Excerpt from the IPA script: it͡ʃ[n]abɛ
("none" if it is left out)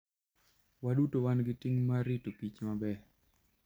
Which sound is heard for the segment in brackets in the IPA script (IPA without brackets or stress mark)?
m